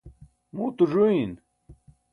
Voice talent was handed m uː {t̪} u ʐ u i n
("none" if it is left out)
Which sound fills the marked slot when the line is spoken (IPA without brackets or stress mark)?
t̪